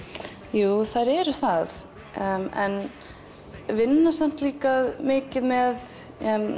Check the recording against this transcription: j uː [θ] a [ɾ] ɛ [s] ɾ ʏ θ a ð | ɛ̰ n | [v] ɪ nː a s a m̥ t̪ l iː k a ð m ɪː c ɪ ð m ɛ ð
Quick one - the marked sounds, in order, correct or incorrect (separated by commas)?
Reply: correct, correct, incorrect, correct